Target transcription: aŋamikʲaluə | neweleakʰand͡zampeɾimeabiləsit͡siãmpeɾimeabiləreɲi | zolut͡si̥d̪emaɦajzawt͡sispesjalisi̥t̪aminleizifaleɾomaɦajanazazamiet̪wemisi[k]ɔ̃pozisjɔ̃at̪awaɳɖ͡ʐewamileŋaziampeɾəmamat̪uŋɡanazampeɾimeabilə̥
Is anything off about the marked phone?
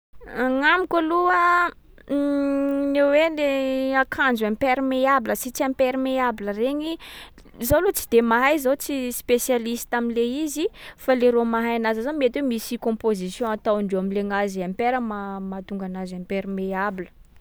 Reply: no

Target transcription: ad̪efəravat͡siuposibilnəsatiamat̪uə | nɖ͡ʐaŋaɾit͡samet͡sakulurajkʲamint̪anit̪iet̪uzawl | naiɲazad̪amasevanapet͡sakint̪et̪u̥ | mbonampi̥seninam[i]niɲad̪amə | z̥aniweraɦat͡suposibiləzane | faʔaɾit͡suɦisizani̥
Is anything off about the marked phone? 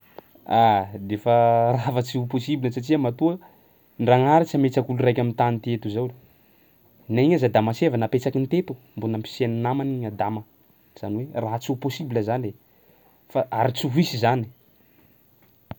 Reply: yes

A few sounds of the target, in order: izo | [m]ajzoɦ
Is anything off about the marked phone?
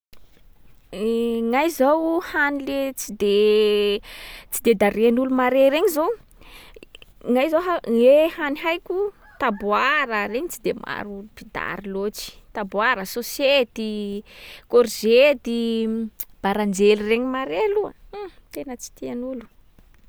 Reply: yes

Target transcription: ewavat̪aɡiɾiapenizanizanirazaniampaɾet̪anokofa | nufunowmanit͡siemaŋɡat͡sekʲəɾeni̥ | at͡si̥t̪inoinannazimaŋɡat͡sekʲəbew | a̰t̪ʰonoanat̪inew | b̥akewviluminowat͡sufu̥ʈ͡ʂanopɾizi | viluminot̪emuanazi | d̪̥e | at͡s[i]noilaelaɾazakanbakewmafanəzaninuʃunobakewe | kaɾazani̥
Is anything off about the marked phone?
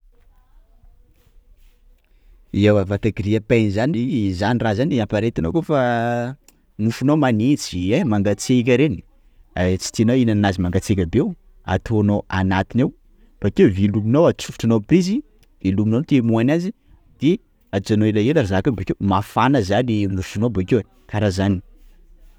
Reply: yes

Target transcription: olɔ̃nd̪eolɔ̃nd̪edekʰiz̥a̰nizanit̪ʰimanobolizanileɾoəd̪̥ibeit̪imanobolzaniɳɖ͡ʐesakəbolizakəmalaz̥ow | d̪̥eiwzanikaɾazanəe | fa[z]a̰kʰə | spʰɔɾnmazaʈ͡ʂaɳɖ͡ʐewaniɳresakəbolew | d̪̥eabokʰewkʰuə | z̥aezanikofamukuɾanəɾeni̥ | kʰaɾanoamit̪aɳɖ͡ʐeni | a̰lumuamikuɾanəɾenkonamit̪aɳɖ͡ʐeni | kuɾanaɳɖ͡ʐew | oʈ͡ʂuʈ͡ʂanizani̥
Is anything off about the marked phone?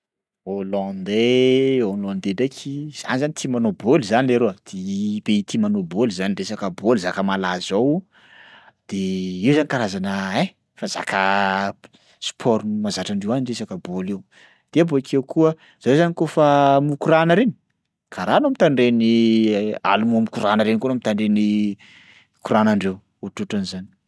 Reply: no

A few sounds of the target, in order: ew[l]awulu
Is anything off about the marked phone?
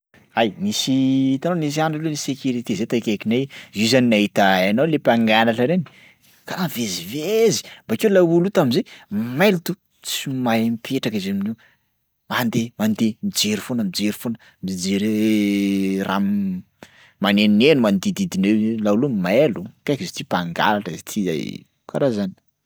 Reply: no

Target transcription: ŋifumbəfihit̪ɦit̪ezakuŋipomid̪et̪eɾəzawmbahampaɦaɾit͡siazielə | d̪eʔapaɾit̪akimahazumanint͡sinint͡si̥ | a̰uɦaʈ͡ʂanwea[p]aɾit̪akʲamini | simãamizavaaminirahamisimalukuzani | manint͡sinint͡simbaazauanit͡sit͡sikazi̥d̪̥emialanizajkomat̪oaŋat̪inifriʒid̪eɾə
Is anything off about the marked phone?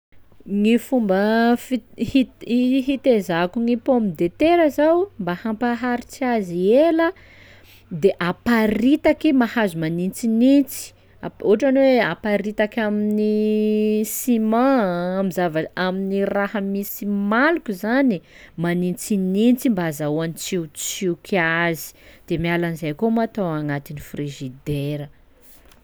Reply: no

